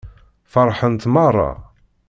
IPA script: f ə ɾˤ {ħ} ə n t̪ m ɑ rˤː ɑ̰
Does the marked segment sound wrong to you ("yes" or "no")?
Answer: no